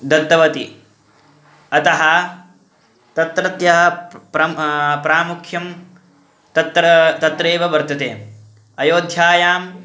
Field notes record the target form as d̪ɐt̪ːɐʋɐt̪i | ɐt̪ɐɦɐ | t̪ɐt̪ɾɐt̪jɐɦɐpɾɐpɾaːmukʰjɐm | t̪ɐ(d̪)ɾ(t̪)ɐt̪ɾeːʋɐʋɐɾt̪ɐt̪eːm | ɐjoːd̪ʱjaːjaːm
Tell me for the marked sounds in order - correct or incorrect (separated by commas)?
incorrect, correct